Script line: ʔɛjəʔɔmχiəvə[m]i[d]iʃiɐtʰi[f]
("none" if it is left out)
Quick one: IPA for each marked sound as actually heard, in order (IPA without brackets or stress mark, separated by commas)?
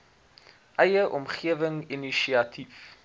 ŋ, n, f